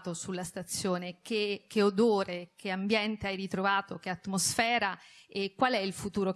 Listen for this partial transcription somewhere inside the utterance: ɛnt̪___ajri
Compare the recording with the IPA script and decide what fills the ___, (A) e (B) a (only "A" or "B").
A